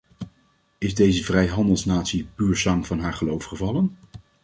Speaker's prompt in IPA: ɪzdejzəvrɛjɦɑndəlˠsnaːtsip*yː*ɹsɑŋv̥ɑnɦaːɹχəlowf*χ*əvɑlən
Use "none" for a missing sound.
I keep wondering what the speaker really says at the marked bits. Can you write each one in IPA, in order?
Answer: yː, χ

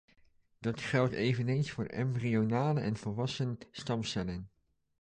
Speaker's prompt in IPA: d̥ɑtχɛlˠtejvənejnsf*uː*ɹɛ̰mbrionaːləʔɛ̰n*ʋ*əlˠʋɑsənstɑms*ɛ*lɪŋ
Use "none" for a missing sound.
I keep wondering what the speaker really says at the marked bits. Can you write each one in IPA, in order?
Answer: ʊː, v, ɛ

